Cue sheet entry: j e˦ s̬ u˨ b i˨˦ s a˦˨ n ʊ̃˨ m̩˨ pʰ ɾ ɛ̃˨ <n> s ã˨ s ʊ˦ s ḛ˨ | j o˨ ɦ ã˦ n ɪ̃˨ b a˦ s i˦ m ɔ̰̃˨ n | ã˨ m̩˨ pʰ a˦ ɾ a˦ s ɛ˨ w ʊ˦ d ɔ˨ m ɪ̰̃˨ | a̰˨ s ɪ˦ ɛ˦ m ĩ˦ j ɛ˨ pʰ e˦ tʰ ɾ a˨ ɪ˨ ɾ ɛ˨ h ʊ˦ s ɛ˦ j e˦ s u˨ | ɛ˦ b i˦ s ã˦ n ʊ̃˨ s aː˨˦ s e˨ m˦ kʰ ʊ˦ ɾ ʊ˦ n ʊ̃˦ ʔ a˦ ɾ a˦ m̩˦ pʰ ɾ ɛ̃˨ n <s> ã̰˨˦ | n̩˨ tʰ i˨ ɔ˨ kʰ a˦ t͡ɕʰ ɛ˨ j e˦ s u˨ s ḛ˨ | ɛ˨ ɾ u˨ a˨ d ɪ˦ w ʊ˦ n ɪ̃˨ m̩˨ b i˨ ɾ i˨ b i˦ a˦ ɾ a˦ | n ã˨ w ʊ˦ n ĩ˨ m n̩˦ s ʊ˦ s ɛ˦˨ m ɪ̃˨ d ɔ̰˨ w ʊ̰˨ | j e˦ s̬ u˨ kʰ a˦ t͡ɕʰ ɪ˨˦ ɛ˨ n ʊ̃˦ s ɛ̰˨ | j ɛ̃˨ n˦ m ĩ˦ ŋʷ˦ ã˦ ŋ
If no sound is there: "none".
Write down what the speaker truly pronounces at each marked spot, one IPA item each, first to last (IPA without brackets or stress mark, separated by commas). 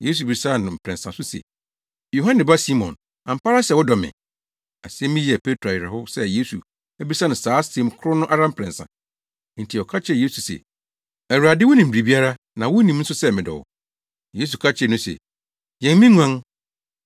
n, s